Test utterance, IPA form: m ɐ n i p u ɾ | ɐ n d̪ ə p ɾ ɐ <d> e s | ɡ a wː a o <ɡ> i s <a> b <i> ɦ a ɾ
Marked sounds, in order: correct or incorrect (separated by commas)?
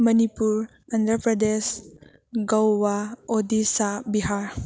correct, incorrect, correct, correct